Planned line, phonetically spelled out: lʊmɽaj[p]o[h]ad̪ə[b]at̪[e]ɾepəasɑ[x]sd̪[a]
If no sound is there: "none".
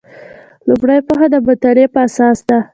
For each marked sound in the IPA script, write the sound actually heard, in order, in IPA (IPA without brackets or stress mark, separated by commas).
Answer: p, x, b, a, none, a